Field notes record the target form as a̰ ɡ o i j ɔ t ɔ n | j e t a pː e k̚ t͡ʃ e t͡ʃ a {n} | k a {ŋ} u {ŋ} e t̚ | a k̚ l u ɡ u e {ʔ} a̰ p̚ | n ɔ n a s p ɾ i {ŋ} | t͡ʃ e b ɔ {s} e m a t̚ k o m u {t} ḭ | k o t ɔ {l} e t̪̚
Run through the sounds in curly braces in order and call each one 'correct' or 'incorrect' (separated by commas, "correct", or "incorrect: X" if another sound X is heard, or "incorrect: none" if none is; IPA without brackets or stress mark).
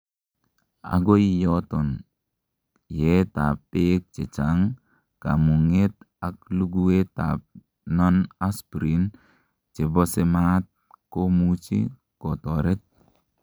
incorrect: ŋ, incorrect: m, correct, incorrect: t, incorrect: n, correct, incorrect: t͡ʃ, incorrect: ɾ